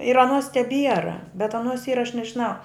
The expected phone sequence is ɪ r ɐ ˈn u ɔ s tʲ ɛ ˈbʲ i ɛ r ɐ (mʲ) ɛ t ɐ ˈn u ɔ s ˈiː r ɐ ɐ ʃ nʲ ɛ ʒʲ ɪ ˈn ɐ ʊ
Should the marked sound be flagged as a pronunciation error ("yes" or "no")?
yes